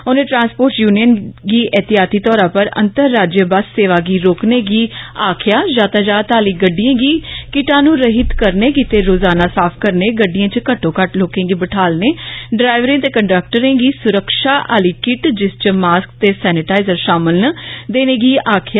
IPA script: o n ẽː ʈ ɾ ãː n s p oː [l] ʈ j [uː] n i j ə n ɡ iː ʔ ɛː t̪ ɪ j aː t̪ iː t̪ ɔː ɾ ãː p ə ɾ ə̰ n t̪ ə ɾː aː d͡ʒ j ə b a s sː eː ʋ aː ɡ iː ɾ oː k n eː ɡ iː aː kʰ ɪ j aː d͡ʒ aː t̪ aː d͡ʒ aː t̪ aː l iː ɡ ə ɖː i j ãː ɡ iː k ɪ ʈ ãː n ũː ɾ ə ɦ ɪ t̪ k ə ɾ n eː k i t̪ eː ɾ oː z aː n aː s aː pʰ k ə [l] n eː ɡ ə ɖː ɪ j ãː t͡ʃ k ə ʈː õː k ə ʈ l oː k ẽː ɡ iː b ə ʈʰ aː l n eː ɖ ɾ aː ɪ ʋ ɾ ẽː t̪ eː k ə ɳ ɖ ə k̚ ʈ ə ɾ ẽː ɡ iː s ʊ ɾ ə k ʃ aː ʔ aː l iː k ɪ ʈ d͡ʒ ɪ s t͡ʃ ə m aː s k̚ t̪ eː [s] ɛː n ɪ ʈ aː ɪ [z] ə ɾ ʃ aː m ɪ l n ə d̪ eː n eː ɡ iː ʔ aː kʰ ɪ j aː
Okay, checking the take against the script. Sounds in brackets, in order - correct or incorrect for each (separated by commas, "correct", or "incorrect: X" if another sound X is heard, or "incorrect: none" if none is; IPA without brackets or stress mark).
incorrect: ɾ, correct, incorrect: ɾ, correct, correct